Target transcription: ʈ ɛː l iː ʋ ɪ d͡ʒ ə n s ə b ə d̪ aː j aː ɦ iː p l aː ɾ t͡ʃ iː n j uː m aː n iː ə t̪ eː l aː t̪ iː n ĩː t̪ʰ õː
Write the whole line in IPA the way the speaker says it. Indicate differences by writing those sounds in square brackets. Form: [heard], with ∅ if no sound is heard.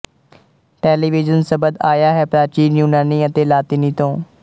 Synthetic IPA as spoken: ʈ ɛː l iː ʋ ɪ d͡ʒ ə n s ə b ə d̪ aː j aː ɦ [ɛː] p [ɾ] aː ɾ t͡ʃ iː n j uː [n] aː n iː ə t̪ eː l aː t̪ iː n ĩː [t̪] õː